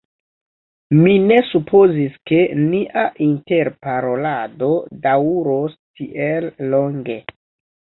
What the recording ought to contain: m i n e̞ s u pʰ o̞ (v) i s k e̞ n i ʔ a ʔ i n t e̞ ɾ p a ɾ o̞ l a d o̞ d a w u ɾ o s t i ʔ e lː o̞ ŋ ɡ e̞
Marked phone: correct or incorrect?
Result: incorrect